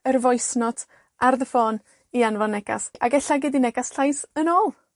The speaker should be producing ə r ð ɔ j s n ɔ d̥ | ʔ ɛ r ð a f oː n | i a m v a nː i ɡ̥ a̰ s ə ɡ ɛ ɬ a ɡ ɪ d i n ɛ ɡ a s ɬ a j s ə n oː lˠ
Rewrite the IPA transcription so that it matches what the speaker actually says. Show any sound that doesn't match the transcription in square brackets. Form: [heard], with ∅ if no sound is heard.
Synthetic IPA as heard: ə r [v] ɔ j s n ɔ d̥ | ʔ [a] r ð [ə] f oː n | i a [n] v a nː [ɛ] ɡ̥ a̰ s [a] ɡ ɛ ɬ a ɡ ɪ d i n ɛ ɡ a s ɬ a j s ə n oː lˠ